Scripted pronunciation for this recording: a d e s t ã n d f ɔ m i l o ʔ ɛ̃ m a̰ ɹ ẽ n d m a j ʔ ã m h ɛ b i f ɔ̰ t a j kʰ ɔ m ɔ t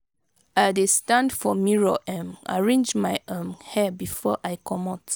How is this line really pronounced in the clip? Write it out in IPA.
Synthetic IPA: a d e s t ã n d f ɔ m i ɹ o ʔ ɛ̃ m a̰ ɹ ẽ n d͡ʒ m a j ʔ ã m h ɛ b i f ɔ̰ ʔ a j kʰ ɔ m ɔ t